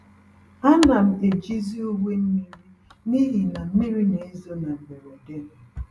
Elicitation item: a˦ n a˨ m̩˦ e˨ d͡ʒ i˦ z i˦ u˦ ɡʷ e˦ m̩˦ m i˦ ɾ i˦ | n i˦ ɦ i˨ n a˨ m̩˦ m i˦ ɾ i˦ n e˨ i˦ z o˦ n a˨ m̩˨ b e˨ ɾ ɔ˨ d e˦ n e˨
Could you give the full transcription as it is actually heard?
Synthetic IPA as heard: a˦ n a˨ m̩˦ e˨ d͡ʒ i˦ z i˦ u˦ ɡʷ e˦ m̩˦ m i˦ ɾ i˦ | n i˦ ɦ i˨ n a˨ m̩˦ m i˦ ɾ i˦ n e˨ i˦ z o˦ n a˨ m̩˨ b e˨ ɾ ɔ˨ d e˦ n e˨